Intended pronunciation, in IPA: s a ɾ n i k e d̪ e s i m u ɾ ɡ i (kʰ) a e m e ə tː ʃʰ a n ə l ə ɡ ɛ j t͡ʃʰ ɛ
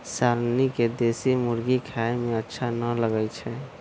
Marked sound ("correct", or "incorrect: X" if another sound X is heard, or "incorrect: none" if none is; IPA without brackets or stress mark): correct